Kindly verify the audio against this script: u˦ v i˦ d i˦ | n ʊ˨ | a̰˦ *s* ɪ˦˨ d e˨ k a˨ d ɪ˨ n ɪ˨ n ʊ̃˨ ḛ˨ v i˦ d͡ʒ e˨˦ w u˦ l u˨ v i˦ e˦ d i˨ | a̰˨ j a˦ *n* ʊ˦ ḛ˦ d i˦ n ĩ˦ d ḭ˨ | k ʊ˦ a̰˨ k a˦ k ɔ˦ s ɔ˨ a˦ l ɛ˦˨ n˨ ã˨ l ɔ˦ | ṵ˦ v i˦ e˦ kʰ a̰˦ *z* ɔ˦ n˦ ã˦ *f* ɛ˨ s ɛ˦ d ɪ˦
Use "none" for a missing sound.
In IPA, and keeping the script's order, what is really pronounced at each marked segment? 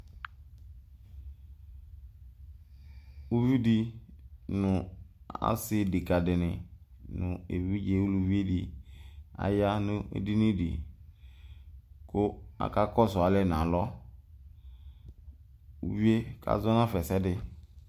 s, n, z, f

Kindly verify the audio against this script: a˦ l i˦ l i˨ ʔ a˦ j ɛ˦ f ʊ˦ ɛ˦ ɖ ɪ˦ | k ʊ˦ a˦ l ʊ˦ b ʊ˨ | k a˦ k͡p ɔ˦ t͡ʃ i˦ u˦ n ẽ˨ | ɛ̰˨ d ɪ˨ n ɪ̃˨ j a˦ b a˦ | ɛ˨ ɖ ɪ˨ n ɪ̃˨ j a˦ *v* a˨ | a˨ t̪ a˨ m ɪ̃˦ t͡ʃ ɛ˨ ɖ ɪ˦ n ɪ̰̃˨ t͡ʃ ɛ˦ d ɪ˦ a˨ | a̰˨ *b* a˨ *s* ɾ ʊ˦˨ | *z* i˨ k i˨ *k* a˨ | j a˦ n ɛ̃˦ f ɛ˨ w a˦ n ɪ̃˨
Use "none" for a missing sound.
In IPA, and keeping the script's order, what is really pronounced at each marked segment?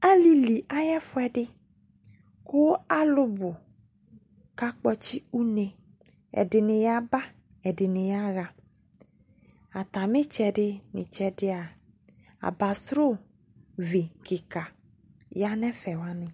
ɣ, b, s, v, k

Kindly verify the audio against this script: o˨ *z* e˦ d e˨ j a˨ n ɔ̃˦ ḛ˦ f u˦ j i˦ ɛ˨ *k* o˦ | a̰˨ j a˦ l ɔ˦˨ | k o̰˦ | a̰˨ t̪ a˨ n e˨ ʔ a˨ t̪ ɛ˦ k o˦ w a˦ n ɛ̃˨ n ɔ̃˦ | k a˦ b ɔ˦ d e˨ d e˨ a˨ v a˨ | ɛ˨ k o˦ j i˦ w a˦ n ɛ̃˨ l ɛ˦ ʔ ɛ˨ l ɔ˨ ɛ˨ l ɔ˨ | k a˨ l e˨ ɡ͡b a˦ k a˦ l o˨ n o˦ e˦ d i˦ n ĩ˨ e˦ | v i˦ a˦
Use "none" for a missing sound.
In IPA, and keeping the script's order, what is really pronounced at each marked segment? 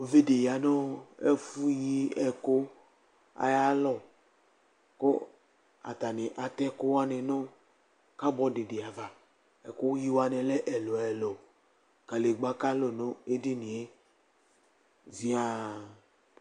v, k

